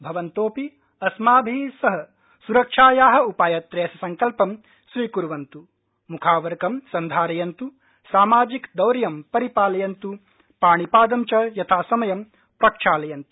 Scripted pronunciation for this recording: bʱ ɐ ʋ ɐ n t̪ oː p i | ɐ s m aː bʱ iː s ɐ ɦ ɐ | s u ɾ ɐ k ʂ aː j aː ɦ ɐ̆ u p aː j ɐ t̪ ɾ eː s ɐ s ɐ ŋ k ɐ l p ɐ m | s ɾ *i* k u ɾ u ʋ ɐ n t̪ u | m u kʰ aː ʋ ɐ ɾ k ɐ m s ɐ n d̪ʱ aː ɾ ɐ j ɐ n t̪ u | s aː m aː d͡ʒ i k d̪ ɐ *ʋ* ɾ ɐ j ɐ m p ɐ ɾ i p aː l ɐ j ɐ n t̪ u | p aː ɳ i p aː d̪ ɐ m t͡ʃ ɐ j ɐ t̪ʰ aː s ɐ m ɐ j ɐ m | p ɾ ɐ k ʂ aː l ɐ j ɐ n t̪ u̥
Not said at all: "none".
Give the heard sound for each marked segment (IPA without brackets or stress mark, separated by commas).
iː, w